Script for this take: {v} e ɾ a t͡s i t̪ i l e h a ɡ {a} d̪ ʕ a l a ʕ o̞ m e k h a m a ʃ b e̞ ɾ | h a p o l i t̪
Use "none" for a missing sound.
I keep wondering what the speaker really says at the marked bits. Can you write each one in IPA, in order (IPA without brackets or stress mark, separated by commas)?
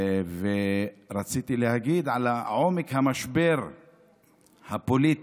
v, i